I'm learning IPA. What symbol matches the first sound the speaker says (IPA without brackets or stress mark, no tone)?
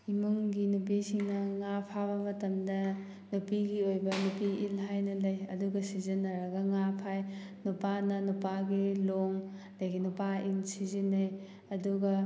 i